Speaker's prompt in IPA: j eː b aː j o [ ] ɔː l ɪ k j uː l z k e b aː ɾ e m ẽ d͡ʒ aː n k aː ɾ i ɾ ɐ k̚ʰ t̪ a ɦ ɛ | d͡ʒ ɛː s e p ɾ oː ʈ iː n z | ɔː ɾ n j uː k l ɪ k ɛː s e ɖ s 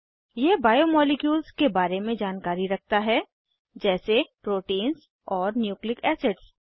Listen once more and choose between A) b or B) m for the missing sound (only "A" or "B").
B